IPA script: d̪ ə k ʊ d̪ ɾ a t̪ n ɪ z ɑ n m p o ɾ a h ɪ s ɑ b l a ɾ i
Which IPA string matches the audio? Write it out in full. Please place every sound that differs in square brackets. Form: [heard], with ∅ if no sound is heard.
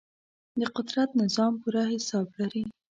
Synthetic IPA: d̪ ə [q] ʊ d̪ ɾ a t̪ n ɪ z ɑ [∅] m p [u] ɾ a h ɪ s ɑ b l a ɾ i